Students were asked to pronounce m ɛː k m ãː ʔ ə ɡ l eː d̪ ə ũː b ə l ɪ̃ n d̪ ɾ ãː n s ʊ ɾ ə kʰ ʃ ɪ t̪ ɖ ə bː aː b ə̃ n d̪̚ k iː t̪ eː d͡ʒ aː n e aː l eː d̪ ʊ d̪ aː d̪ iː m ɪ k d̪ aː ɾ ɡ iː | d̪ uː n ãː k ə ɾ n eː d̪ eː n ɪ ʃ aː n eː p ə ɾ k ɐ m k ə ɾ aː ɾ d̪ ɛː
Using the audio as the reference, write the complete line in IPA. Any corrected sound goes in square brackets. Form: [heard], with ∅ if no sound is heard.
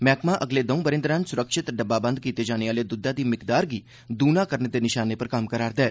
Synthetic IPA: m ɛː k m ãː ʔ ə ɡ l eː d̪ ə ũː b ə [ɾ] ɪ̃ n d̪ ɾ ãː n s ʊ ɾ ə [k] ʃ ɪ t̪ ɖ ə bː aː b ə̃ n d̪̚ k iː t̪ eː d͡ʒ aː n e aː l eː d̪ ʊ d̪ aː d̪ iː m ɪ k d̪ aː ɾ ɡ iː | d̪ uː n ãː k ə ɾ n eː d̪ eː n ɪ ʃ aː n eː p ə ɾ k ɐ m k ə ɾ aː ɾ d̪ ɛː

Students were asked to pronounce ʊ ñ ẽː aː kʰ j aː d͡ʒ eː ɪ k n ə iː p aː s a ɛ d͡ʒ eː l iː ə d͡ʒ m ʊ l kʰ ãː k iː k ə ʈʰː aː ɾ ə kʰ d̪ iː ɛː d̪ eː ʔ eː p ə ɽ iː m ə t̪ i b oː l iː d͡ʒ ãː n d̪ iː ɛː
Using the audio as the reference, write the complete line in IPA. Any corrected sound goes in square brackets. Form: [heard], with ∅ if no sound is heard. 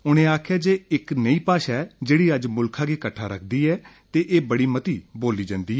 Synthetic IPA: ʊ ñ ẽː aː kʰ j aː d͡ʒ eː ɪ k n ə iː p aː [ʃ] a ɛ d͡ʒ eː [ɽ] iː ə d͡ʒ m ʊ l kʰ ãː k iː k ə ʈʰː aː ɾ ə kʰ d̪ iː ɛː [t̪] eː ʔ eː [b] ə ɽ iː m ə t̪ [iː] b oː l iː d͡ʒ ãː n d̪ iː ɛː

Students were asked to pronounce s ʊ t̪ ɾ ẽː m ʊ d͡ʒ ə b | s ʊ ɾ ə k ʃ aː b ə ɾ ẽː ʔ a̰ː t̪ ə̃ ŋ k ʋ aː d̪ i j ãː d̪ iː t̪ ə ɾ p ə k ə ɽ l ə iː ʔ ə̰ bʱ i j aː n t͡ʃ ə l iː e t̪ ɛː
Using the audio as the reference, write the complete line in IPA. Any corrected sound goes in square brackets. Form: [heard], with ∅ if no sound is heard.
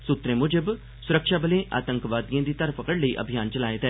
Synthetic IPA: s ʊ t̪ ɾ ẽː m ʊ d͡ʒ ə b | s ʊ ɾ ə k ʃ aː b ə [l] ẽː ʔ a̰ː t̪ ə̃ ŋ k ʋ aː d̪ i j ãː d̪ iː t̪ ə ɾ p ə k ə ɽ l ə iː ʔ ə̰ bʱ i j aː n t͡ʃ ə l [aː] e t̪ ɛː

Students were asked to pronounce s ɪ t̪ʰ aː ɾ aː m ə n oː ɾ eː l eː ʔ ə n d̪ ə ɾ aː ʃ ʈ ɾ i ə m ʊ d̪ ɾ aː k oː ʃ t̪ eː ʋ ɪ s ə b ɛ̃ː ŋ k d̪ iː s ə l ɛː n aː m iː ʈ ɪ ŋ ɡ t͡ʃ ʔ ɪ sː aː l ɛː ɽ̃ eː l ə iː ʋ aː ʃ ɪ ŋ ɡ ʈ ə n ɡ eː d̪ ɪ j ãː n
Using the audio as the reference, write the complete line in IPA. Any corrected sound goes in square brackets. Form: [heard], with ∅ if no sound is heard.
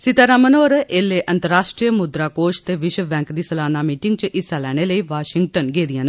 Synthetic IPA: s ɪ [t̪] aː ɾ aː m ə n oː ɾ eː l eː ʔ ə n [t̪] ə ɾ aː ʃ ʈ ɾ i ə m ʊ d̪ ɾ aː k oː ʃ t̪ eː ʋ ɪ [ʃ] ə b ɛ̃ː ŋ k d̪ iː s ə l [aː] n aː m iː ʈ ɪ ŋ ɡ t͡ʃ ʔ ɪ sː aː l ɛː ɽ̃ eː l ə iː ʋ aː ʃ ɪ ŋ ɡ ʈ ə n ɡ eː d̪ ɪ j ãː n

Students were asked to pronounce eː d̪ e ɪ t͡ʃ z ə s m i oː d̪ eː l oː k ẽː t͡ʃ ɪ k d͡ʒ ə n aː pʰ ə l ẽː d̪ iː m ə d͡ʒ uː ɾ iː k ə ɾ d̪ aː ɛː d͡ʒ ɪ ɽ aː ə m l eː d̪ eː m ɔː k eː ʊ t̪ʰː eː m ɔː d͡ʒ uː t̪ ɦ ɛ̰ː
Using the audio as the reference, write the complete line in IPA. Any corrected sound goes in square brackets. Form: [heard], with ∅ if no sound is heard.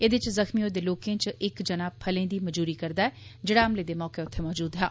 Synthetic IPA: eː d̪ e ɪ t͡ʃ z ə [x] m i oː d̪ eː l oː k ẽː t͡ʃ ɪ k d͡ʒ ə n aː pʰ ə l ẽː d̪ iː m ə d͡ʒ uː ɾ iː k ə ɾ d̪ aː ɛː d͡ʒ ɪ ɽ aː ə m l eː d̪ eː m ɔː k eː ʊ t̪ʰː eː m ɔː d͡ʒ uː [d̪] ɦ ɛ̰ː

